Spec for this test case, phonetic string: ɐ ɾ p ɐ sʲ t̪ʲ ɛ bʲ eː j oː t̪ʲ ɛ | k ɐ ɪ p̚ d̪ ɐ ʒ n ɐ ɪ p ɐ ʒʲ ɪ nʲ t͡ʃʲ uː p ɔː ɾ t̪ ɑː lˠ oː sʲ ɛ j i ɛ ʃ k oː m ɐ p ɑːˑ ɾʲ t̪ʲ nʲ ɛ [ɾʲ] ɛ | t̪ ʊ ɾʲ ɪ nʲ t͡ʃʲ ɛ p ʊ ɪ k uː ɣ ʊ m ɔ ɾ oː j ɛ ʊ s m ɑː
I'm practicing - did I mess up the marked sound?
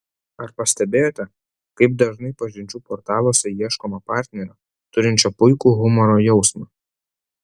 no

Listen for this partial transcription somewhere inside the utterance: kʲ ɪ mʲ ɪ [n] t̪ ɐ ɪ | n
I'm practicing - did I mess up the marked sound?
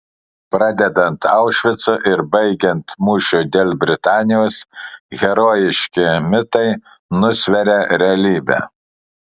yes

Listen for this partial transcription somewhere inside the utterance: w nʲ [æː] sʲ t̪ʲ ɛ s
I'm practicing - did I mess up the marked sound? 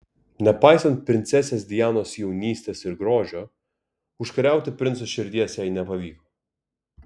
yes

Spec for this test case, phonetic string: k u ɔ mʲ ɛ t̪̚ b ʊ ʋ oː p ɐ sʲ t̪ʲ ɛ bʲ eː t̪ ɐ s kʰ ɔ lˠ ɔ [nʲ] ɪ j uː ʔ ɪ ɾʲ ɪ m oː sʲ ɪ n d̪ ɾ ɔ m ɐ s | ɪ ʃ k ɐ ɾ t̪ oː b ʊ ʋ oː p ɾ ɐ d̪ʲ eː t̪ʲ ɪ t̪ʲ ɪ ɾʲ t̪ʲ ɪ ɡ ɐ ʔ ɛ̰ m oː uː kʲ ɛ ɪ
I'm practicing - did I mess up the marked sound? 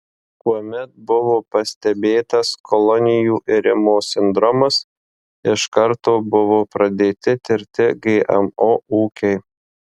no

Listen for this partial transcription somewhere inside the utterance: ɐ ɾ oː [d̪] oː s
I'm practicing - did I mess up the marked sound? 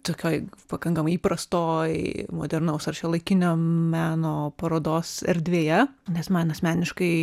no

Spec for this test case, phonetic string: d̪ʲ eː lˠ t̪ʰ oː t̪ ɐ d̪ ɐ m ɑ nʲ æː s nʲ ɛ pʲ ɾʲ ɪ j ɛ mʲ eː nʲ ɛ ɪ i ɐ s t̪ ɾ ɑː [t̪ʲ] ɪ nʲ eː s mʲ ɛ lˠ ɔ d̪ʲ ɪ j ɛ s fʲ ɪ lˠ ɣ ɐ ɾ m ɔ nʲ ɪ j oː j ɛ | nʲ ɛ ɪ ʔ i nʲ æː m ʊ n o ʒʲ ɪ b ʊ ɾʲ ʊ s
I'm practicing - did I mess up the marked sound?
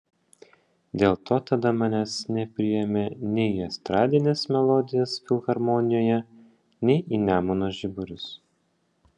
yes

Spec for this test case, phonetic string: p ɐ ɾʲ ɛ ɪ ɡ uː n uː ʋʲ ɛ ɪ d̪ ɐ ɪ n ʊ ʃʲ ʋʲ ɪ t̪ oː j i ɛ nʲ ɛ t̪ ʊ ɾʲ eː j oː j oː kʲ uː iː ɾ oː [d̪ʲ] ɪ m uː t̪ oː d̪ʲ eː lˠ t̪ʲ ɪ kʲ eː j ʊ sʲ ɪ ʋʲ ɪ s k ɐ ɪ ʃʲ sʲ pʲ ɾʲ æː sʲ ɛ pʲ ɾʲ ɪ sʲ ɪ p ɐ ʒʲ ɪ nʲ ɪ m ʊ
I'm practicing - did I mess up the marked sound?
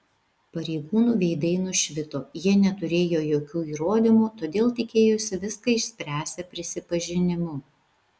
no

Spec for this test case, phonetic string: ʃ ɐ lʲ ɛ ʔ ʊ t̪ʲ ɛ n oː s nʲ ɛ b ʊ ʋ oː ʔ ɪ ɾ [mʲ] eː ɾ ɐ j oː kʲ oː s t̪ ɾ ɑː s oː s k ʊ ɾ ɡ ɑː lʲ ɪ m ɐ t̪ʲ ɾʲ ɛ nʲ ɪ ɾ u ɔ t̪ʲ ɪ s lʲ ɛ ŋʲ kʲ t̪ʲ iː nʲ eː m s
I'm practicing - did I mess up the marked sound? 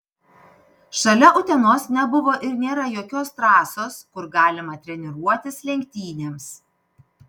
yes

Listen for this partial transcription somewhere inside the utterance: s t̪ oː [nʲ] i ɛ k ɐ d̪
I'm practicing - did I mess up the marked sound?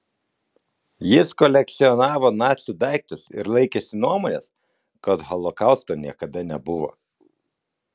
no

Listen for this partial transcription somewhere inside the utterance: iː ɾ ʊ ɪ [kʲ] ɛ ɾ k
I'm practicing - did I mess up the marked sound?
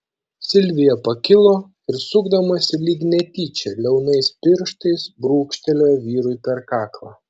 yes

